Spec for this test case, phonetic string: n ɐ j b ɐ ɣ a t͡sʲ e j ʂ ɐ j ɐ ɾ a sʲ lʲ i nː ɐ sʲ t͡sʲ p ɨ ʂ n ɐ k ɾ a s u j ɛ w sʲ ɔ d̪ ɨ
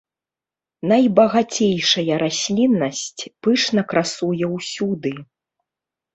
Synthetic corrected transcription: n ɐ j b ɐ ɣ a t͡sʲ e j ʂ ɐ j ɐ ɾ a sʲ lʲ i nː ɐ sʲ t͡sʲ p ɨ ʂ n ɐ k ɾ a s u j ɛ w sʲ u d̪ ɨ